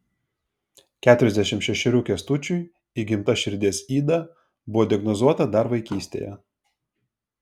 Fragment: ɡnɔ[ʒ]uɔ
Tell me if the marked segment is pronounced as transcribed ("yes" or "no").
no